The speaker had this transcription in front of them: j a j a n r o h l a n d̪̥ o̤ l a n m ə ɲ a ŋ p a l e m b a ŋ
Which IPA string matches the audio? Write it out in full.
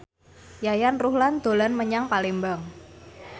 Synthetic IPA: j a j a n r u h l a n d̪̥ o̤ l a n m ə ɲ a ŋ p a l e m b a ŋ